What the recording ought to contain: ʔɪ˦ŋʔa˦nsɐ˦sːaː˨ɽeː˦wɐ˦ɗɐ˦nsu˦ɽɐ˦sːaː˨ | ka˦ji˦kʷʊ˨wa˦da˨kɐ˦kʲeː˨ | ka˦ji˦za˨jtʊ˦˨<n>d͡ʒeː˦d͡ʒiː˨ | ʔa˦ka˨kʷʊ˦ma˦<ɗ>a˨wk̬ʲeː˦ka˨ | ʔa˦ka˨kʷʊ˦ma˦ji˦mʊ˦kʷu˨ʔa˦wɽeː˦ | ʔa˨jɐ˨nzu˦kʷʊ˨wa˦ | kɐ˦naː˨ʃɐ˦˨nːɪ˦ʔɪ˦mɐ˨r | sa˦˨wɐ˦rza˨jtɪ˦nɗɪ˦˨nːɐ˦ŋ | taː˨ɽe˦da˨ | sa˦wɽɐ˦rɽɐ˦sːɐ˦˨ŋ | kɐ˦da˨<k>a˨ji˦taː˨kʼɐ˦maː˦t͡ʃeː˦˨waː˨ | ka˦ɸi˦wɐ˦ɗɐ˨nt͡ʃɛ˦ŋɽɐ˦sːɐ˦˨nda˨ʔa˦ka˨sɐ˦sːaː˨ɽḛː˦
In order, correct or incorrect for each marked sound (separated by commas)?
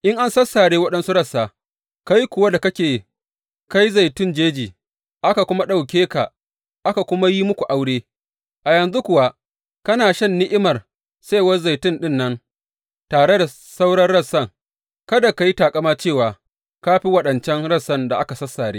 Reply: correct, correct, correct